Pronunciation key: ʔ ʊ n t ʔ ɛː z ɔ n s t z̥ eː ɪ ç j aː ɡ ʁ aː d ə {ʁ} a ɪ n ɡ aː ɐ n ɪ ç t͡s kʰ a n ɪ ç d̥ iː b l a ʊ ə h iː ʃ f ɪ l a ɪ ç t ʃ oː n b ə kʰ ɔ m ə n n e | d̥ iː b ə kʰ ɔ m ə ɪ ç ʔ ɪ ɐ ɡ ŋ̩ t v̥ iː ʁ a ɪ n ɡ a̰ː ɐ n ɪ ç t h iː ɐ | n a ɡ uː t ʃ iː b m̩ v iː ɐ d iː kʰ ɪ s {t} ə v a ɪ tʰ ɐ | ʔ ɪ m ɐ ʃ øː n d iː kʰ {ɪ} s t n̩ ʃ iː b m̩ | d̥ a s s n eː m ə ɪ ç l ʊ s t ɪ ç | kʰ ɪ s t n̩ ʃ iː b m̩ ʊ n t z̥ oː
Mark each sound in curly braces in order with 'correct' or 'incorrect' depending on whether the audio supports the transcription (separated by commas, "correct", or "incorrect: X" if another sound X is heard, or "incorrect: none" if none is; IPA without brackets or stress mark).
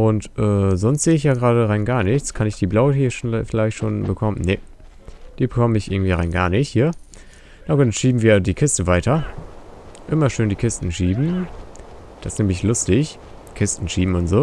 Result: correct, correct, correct